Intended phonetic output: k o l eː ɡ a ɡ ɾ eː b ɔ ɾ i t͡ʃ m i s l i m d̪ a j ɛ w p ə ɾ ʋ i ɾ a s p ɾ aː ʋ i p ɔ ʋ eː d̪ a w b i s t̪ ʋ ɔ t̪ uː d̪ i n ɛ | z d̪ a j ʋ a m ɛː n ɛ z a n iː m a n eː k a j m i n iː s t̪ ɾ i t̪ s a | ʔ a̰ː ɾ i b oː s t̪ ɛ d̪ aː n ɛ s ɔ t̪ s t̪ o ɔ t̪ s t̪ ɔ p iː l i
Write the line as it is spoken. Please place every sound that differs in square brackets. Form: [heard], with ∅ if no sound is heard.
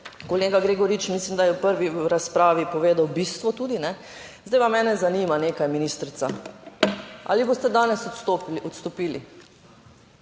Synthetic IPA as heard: k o l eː ɡ a ɡ ɾ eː [ɡ] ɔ ɾ i t͡ʃ m i s l i m d̪ a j ɛ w p ə ɾ ʋ i ɾ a s p ɾ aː ʋ i p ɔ ʋ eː d̪ a w b i s t̪ ʋ ɔ t̪ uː d̪ i n ɛ | z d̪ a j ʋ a m ɛː n ɛ z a n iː m a n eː k a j m i n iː s t̪ ɾ i t̪ s a | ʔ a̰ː [l] i b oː s t̪ ɛ d̪ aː n ɛ s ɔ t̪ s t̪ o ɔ t̪ s t̪ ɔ p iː l i